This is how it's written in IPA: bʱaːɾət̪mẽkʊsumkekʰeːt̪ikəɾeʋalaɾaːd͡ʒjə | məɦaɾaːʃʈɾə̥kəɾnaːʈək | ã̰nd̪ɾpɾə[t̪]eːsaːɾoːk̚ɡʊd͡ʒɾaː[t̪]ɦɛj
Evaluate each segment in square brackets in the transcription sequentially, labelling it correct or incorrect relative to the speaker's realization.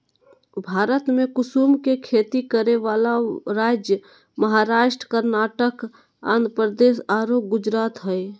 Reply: incorrect: d̪, correct

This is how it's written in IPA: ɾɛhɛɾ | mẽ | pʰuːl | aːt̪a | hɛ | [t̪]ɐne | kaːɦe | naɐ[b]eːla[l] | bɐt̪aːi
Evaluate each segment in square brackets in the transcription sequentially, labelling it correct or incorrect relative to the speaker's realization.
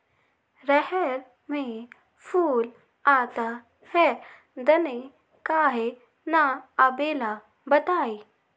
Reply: incorrect: d̪, correct, incorrect: none

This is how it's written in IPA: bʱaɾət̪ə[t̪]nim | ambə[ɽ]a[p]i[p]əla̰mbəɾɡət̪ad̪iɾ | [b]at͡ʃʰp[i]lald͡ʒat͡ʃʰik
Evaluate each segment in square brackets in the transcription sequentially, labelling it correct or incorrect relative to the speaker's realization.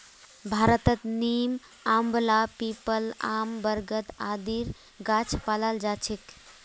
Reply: correct, incorrect: l, correct, correct, incorrect: ɡ, incorrect: a

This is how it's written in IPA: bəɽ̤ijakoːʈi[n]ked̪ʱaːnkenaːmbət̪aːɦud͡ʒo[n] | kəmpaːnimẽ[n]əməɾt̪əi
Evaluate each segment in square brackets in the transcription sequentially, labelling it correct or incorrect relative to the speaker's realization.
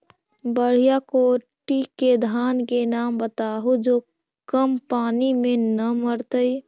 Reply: incorrect: none, incorrect: none, correct

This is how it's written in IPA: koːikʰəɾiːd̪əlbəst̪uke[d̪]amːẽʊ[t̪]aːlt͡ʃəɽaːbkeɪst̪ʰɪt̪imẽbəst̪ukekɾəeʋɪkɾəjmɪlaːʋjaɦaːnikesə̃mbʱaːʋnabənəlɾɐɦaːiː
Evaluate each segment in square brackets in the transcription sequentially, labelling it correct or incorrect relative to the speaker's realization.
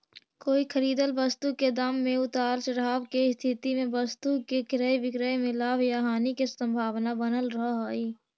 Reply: correct, correct

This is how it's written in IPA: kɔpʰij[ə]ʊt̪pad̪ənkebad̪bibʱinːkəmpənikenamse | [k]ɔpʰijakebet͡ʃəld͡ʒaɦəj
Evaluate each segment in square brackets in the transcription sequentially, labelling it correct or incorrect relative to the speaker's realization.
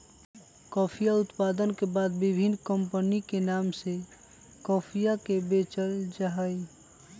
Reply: incorrect: a, correct

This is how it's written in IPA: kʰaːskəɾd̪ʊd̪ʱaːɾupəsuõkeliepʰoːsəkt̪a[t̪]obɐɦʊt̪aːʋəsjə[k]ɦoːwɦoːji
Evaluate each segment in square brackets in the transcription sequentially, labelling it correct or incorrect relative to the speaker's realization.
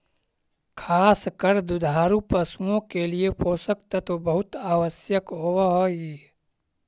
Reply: correct, correct

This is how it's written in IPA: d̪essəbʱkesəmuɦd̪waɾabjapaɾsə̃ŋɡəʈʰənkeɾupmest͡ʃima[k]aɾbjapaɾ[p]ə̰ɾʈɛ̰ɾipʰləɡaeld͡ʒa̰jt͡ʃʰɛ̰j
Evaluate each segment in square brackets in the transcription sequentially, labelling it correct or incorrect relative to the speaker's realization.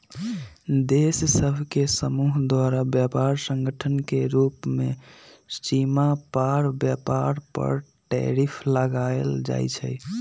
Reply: incorrect: p, correct

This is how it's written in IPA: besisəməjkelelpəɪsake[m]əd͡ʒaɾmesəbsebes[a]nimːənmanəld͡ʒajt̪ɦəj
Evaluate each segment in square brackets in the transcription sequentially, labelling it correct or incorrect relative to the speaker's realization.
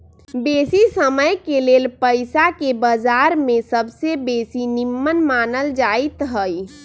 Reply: incorrect: b, incorrect: i

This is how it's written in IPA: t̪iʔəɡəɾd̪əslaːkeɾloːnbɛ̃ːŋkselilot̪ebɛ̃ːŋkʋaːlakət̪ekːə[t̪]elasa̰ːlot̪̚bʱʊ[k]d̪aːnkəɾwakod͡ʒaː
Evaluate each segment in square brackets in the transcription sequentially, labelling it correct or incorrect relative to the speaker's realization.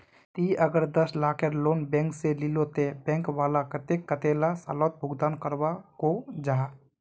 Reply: correct, incorrect: ɡ

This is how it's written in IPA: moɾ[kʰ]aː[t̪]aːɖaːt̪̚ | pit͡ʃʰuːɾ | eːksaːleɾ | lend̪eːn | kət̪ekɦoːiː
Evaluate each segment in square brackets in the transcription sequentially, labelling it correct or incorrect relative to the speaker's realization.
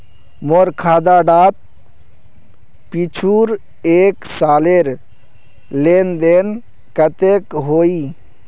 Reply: correct, incorrect: d̪

